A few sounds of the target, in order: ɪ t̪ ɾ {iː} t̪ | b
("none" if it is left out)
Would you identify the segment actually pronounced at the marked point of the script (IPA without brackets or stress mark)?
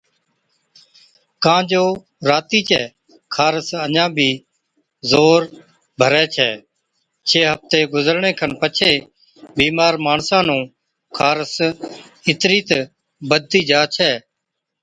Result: iː